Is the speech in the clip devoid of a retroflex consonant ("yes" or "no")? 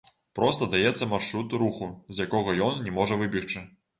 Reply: no